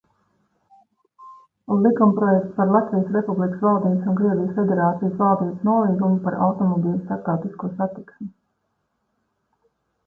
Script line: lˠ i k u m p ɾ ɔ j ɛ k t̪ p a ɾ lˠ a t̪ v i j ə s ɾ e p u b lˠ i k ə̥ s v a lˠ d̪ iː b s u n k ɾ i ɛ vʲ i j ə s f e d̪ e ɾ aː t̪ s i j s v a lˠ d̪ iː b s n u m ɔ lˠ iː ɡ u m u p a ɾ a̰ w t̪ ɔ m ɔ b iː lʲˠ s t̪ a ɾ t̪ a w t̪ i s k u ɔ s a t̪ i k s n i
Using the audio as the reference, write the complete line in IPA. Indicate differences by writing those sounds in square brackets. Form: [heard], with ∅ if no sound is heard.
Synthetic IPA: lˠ i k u m p ɾ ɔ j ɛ k t̪ p a ɾ lˠ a t̪ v i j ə s ɾ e p u b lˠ i k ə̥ s v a lˠ d̪ iː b s u n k ɾ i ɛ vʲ i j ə s f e d̪ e ɾ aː t̪ s i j s v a lˠ d̪ iː b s n u [∅] ɔ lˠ iː ɡ u m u p a ɾ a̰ w t̪ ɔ m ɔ b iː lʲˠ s t̪ a ɾ t̪ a w t̪ i s k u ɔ s a t̪ i k s [m] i

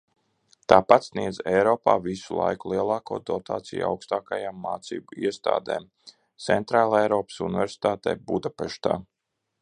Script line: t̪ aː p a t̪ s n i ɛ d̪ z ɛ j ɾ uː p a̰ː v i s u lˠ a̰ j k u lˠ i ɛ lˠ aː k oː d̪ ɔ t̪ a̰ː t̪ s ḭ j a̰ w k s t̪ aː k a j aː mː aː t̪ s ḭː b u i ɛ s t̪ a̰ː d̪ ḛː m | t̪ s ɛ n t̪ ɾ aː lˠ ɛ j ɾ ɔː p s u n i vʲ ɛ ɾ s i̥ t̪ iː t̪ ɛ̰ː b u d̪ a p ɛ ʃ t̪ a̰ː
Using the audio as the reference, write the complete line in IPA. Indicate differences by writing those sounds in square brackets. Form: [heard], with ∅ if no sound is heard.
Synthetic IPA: t̪ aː p a t̪ s n i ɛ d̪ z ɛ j ɾ [ɔː] p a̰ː v i s u lˠ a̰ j k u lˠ i ɛ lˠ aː k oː d̪ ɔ t̪ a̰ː t̪ s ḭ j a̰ w k s t̪ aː k a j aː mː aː t̪ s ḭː b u i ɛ s t̪ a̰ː d̪ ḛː m | t̪ s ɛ n t̪ ɾ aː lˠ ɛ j ɾ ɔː p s u n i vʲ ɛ ɾ s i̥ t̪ [aː] t̪ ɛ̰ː b u d̪ a p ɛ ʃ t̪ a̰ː

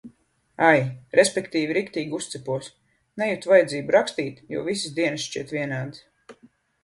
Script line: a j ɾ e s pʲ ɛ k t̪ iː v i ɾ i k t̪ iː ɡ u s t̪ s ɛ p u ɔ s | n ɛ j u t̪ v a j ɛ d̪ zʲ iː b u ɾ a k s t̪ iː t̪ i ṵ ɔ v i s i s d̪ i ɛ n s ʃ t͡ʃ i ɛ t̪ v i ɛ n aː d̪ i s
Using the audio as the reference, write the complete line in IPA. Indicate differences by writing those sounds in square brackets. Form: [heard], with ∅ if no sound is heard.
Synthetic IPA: a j ɾ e s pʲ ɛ k t̪ iː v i ɾ i k t̪ iː ɡ u s t̪ s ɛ p u ɔ s | n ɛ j u t̪ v a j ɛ d̪ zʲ iː b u ɾ a k s t̪ iː t̪ [j] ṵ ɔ v i s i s d̪ i ɛ n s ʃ t͡ʃ i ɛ t̪ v i ɛ n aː d̪ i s

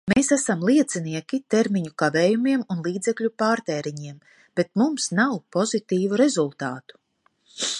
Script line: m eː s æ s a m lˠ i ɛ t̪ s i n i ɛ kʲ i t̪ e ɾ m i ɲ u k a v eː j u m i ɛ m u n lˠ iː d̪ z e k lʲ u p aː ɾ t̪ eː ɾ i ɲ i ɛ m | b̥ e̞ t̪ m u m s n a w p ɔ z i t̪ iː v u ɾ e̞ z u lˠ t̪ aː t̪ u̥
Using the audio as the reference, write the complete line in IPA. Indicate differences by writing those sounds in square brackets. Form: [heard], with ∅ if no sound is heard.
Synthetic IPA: m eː s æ s a m lˠ i ɛ t̪ s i n i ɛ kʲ i t̪ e ɾ m i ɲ u k a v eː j u m i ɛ m u n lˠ iː d̪ z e k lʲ u p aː ɾ t̪ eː ɾ i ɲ i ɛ m | b̥ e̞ t̪ m u m s n a w p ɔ z i t̪ iː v u ɾ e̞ z u lˠ t̪ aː t̪ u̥

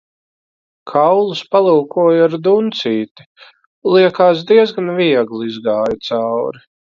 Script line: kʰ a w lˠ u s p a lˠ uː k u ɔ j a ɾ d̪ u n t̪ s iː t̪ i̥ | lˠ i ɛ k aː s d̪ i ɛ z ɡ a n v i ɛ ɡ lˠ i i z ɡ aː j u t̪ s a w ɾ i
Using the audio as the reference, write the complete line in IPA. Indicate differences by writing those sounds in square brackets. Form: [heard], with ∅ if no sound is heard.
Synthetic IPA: kʰ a w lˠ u s p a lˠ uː k u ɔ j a ɾ d̪ u n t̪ s iː t̪ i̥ | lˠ i ɛ k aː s d̪ i ɛ z ɡ a n v i ɛ ɡ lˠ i i z ɡ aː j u t̪ s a w ɾ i

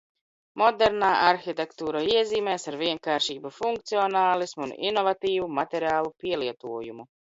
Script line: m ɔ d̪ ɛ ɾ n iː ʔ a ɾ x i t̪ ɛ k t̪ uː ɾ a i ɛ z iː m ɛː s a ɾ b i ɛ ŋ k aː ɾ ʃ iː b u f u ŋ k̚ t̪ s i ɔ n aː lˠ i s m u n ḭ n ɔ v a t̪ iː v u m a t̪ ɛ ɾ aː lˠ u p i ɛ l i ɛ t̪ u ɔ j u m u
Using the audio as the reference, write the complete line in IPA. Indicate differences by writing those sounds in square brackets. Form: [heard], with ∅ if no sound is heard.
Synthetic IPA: m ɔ d̪ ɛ ɾ n [aː] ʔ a ɾ x i t̪ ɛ k t̪ uː ɾ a i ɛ z iː m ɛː s a ɾ [v] i ɛ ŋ k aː ɾ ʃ iː b u f u ŋ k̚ t̪ s i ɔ n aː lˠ i s m u n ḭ n ɔ v a t̪ iː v u m a t̪ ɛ ɾ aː lˠ u p i ɛ l i ɛ t̪ u ɔ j u m u

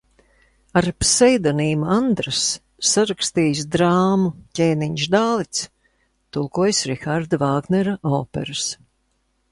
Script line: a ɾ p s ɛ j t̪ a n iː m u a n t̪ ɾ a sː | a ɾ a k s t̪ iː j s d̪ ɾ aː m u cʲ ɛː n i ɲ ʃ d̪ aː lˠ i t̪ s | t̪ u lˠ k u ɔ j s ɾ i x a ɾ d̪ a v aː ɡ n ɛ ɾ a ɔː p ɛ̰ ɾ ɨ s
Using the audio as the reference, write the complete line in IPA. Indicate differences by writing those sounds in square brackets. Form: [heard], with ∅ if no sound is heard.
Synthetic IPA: a ɾ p s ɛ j [d̪] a n iː m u a n [d̪] ɾ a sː | a ɾ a k s t̪ iː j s d̪ ɾ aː m u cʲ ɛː n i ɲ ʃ d̪ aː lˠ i t̪ s | t̪ u lˠ k u ɔ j s ɾ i x a ɾ d̪ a v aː ɡ n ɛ ɾ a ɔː p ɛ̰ ɾ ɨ s

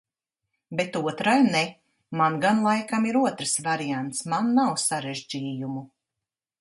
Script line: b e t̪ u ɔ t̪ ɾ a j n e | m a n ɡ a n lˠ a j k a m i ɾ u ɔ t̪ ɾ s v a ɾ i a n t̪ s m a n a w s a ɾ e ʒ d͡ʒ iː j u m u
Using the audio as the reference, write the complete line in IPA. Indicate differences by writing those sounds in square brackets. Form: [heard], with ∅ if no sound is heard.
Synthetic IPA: b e t̪ u ɔ t̪ ɾ a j n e | m a n ɡ a n lˠ a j k a m i ɾ u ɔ t̪ ɾ s v a ɾ i a n t̪ s m a [nː] a w s a ɾ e ʒ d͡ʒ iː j u m u

